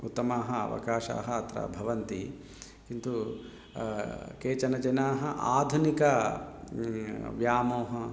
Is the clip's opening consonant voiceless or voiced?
voiceless